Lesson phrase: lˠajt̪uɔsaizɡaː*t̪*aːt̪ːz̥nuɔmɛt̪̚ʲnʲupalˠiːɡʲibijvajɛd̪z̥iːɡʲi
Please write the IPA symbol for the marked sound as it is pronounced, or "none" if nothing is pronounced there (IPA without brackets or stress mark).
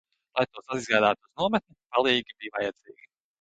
d̪